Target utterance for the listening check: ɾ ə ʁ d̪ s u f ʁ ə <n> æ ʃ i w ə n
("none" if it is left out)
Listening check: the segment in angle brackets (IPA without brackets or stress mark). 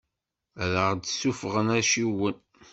n